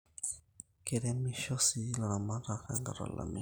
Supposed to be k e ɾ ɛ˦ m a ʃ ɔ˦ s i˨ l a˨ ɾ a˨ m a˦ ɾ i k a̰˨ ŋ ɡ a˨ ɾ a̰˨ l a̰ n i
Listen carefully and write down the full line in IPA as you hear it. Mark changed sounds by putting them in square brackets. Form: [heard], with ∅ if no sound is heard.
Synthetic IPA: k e ɾ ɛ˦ m [i] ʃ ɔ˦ s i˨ l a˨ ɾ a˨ m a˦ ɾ [a] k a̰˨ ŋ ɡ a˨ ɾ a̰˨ l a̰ [m] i